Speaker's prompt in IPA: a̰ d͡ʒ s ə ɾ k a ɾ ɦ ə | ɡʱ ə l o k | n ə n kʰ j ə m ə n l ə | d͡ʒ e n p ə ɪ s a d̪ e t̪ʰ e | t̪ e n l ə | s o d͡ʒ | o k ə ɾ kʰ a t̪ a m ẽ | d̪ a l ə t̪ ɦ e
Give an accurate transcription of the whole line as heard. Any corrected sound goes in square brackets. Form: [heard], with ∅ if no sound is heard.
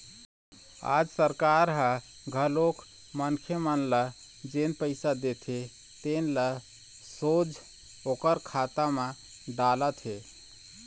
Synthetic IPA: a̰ d͡ʒ s ə ɾ k a ɾ ɦ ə | ɡʱ ə l o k | [m] ə n kʰ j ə m ə n l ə | d͡ʒ e n p ə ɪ s a d̪ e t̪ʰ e | t̪ e n l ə | s o d͡ʒ | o k ə ɾ kʰ a t̪ a m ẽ | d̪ a l ə t̪ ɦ e